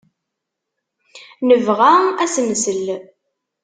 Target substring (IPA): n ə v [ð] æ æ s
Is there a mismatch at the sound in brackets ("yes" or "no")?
yes